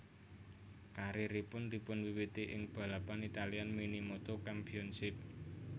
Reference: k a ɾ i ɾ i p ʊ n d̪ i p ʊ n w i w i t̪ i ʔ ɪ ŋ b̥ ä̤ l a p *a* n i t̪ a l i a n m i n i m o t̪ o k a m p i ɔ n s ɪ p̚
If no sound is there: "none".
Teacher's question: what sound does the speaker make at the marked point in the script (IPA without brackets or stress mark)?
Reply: a